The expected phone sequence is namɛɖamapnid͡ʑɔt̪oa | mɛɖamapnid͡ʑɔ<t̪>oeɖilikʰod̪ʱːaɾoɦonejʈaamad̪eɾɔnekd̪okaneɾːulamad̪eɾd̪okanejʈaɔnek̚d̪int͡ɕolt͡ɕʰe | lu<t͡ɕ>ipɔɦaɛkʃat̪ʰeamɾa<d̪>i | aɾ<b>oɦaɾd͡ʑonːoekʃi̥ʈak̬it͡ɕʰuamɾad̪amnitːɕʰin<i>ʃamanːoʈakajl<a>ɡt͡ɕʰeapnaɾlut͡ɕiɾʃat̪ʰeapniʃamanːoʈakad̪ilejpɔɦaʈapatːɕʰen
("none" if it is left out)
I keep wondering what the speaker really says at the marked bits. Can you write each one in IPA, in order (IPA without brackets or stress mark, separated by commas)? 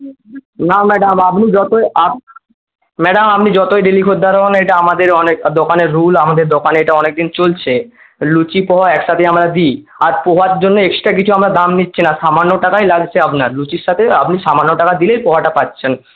t̪, t͡ɕ, d̪, p, a, a